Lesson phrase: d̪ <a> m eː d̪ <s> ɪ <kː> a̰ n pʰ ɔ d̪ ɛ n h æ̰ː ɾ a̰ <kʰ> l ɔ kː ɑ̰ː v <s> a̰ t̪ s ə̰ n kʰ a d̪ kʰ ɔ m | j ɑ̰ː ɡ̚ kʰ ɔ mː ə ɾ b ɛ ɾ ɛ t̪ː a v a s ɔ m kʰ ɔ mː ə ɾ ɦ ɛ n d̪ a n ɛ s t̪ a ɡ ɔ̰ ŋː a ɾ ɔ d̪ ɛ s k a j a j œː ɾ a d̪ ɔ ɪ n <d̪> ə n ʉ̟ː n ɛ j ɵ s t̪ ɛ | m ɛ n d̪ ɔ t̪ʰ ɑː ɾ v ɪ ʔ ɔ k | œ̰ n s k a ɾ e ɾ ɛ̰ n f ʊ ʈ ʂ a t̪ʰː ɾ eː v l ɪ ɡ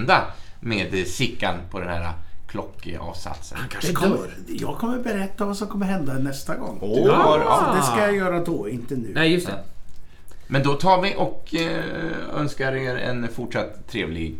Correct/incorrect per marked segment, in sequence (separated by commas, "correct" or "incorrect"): correct, correct, correct, correct, correct, incorrect